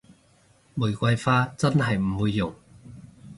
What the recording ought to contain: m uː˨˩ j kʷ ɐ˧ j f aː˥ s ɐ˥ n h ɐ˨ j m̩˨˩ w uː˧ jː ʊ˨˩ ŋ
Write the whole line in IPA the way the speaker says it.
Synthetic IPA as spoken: m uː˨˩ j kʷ ɐ˧ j f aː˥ t͡s ɐ˥ n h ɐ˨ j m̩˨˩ w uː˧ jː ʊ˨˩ ŋ